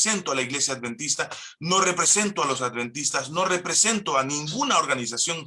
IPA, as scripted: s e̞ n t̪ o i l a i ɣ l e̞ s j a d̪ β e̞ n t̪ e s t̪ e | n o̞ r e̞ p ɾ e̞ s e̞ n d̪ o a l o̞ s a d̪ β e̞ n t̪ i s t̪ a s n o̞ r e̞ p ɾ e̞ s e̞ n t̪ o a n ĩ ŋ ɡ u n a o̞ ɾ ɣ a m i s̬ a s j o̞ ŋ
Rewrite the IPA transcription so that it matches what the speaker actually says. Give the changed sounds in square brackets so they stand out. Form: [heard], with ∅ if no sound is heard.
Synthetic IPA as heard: s e̞ n t̪ o [a] l a i ɣ l e̞ s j a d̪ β e̞ n t̪ [i] s t̪ [a] | n o̞ r e̞ p ɾ e̞ s e̞ n [t̪] o a l o̞ s a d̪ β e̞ n t̪ i s t̪ a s n o̞ r e̞ p ɾ e̞ s e̞ n t̪ o a n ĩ ŋ ɡ u n a o̞ ɾ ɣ a [n] i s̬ a s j o̞ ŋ